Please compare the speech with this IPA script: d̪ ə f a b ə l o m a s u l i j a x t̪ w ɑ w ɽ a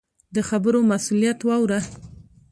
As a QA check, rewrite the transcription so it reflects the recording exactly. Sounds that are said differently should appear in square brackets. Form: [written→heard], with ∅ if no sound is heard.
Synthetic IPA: d̪ ə [f→x] a b ə [l→ɾ] o m a s u l i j a [x→∅] t̪ w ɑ w [ɽ→ɾ] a